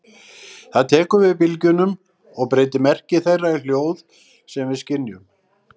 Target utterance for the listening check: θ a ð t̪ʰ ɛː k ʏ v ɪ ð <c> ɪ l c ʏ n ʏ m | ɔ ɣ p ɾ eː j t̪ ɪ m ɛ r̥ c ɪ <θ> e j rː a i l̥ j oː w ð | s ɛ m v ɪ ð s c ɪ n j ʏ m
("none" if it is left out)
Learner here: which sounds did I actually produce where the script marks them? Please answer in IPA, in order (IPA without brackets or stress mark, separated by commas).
p, θ